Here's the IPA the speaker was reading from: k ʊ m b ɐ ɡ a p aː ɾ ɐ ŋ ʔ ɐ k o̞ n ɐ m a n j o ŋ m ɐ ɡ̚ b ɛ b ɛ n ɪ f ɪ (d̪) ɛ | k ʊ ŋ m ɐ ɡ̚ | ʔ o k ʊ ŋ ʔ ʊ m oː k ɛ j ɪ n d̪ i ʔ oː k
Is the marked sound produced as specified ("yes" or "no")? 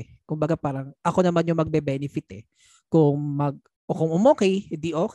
no